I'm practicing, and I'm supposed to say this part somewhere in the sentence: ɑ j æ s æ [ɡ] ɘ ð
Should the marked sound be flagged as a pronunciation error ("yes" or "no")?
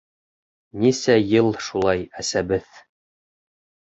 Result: yes